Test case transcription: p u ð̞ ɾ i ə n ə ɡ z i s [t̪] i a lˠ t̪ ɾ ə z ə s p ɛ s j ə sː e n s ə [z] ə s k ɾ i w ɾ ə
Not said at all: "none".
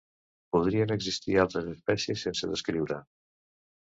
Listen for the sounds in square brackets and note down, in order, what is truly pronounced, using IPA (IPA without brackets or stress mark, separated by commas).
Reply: t̪, ð